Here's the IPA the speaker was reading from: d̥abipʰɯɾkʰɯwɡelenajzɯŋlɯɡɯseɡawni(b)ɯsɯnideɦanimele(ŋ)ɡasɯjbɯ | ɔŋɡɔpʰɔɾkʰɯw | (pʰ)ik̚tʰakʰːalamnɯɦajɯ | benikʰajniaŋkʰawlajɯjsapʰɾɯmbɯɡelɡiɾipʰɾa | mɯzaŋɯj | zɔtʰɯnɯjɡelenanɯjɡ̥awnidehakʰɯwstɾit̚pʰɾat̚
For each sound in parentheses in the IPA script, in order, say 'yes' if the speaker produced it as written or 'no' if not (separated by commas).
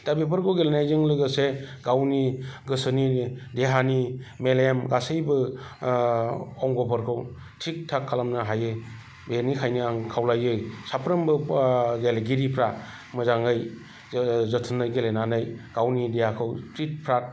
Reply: no, no, no